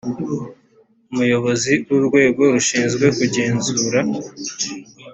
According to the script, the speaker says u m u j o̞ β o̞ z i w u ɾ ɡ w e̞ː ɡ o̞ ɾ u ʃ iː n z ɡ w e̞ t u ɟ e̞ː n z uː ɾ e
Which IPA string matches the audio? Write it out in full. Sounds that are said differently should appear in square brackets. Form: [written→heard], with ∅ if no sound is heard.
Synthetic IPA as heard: u m u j o̞ β o̞ z i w u ɾ ɡ w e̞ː ɡ o̞ ɾ u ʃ iː n z ɡ w e̞ [t→k] u ɟ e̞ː n z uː ɾ [e→a]